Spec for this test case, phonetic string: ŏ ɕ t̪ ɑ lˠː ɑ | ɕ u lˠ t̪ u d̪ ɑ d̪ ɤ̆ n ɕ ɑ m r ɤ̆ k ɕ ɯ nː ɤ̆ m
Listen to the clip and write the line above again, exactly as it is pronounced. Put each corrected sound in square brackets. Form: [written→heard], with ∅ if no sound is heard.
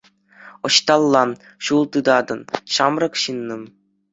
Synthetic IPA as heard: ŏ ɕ t̪ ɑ lˠː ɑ | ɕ u lˠ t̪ [u→ɯ] d̪ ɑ d̪ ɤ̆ n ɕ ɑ m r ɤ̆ k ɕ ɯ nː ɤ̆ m